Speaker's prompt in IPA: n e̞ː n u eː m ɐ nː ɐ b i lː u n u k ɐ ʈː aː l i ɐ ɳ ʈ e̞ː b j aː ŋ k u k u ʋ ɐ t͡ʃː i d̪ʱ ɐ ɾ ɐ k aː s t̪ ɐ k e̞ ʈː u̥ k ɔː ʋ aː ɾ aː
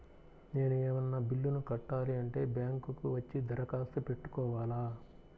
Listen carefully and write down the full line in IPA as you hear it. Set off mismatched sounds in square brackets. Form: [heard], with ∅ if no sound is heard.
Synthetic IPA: n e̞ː n u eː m ɐ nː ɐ b i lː u n u k ɐ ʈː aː l i ɐ ɳ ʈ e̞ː b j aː ŋ k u k u ʋ ɐ t͡ʃː i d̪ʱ ɐ ɾ ɐ k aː s t̪ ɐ [p] e̞ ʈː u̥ k ɔː ʋ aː [l] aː